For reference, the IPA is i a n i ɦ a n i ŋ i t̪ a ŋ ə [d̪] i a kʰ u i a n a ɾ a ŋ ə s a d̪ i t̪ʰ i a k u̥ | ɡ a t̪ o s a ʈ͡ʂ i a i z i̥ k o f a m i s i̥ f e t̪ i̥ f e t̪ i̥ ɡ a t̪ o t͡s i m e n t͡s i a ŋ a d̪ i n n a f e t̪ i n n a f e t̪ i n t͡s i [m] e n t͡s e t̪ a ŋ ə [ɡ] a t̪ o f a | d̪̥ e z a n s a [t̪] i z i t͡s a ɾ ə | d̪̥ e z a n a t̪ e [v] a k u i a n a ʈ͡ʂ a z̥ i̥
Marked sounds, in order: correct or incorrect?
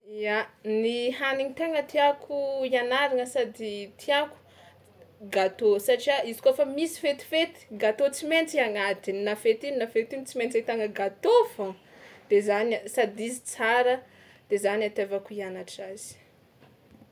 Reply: incorrect: t̪, correct, correct, incorrect: d̪, correct

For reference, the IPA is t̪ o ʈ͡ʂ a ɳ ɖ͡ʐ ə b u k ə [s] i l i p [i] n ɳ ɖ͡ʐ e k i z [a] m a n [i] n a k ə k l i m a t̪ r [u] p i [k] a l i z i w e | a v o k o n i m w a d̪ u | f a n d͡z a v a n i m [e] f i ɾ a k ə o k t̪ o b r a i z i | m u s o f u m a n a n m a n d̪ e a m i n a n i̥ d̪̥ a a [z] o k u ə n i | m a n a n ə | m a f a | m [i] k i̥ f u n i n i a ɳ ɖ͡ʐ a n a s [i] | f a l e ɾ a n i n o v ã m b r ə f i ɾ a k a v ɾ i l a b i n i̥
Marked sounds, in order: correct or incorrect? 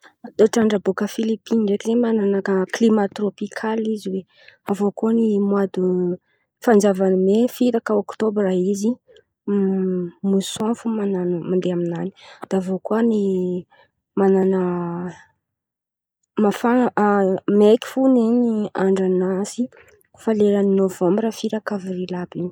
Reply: incorrect: f, correct, incorrect: e, incorrect: a, incorrect: o, incorrect: kʰ, correct, incorrect: v, incorrect: e, correct

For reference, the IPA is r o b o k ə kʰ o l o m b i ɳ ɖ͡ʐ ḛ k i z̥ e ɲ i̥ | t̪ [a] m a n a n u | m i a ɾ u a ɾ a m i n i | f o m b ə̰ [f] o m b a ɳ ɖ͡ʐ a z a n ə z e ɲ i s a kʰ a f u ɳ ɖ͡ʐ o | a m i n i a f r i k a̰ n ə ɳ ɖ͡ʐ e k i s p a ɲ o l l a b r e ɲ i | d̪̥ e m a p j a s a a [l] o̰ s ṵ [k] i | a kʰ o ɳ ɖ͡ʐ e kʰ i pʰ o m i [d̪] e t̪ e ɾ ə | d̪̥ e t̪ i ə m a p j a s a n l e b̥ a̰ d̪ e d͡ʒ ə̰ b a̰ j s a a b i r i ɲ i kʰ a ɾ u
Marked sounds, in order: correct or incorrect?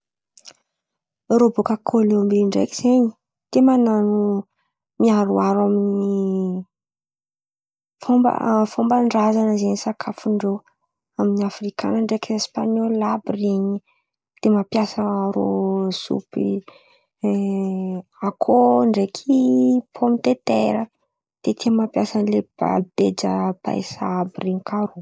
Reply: incorrect: e, correct, incorrect: ɾ, incorrect: p, incorrect: t̪

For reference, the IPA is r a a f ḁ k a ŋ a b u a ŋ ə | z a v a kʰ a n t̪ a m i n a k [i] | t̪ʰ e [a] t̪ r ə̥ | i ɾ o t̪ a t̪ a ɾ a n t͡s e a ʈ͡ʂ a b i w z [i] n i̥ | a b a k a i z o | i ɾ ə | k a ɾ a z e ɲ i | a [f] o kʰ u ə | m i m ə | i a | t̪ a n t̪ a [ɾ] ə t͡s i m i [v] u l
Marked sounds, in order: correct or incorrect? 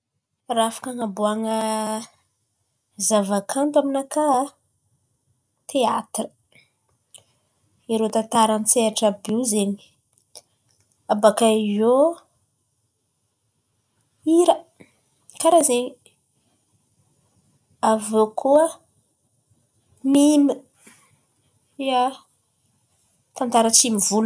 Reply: incorrect: a, correct, incorrect: e, incorrect: v, correct, correct

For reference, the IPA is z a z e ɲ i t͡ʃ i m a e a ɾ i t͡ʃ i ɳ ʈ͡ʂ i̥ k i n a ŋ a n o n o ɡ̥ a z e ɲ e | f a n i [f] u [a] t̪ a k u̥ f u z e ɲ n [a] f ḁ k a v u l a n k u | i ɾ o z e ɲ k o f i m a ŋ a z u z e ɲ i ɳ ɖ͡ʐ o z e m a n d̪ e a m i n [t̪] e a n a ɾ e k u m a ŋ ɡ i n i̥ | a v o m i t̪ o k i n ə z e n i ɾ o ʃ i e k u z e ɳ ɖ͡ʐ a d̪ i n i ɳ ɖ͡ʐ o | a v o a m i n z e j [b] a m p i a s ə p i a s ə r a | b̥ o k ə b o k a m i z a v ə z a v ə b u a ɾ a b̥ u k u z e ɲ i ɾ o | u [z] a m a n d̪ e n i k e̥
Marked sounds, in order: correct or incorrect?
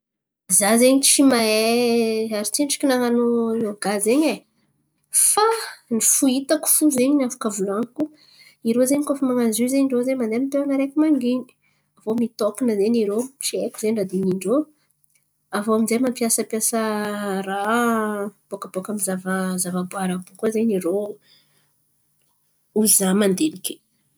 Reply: correct, incorrect: i, correct, correct, incorrect: m, correct

